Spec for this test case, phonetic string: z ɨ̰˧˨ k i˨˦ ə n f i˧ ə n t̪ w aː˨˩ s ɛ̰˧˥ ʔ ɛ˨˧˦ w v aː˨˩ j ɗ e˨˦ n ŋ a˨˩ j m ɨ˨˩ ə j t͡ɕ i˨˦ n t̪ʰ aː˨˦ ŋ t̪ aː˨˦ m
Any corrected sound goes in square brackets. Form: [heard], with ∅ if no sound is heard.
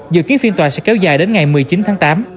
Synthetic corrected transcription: z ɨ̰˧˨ k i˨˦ ə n f i˧ ə n t̪ w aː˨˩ s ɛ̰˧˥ [k] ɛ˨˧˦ w [z] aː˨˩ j ɗ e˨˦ n ŋ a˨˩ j m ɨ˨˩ ə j t͡ɕ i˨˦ n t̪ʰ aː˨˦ ŋ t̪ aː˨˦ m